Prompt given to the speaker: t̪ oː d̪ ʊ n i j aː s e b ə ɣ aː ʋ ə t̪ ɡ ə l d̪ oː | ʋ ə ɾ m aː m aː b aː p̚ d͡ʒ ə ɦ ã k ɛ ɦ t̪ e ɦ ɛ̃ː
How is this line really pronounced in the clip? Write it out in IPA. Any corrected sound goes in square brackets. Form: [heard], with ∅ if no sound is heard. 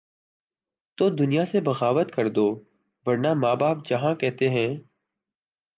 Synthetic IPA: t̪ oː d̪ ʊ n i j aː s e b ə ɣ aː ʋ ə t̪ [k] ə [ɾ] d̪ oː | ʋ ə ɾ [n] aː m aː b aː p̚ d͡ʒ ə ɦ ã k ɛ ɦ t̪ e ɦ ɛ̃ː